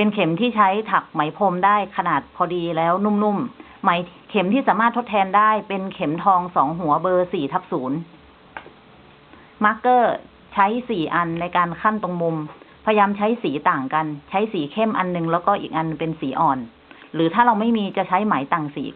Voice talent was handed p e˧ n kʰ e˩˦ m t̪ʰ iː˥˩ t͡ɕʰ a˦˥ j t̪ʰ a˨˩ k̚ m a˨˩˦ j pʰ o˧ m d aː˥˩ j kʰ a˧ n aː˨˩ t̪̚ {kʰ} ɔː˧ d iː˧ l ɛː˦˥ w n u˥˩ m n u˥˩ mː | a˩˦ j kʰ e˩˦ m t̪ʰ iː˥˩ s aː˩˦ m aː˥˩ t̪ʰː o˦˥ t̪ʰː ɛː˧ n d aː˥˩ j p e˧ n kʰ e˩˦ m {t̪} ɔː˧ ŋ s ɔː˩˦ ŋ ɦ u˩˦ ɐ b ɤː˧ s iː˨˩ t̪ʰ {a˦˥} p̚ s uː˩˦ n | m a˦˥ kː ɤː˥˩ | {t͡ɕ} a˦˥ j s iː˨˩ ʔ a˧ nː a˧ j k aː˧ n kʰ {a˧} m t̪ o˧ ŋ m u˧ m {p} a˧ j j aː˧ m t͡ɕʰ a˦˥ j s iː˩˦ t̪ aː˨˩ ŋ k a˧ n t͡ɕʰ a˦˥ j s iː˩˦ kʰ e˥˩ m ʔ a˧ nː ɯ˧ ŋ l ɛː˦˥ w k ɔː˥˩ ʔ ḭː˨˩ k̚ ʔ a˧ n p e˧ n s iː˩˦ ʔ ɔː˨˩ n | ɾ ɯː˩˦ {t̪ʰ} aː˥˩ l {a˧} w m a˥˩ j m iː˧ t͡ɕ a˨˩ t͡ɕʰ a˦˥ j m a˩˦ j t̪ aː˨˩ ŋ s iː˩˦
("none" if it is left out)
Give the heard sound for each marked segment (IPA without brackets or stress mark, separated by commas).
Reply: pʰ, t̪ʰ, a˦˥, t͡ɕʰ, a˥˩, pʰ, t̪ʰ, a˧